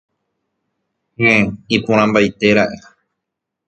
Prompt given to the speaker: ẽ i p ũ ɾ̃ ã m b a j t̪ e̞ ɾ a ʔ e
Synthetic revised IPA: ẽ i p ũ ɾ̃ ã m b a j t̪ e̞ ɾ a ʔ e